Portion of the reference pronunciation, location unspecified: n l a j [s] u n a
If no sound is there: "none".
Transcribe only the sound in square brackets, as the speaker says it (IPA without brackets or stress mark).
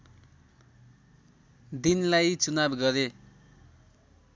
t͡s